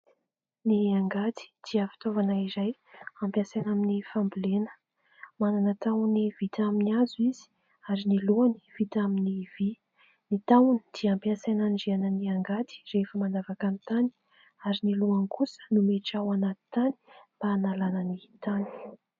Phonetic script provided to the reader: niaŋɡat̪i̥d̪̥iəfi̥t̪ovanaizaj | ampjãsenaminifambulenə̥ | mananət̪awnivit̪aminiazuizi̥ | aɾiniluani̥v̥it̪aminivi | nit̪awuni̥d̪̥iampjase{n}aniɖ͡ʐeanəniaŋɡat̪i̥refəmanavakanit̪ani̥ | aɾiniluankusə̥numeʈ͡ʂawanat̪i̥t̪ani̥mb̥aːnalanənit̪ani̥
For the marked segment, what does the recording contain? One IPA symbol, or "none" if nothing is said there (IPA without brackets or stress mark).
n